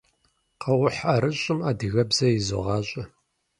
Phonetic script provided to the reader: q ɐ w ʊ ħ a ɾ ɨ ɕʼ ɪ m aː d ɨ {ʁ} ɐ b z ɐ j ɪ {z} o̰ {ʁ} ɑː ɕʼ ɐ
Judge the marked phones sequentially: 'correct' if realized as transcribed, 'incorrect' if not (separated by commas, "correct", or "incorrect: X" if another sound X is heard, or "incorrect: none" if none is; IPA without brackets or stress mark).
incorrect: ɣ, correct, correct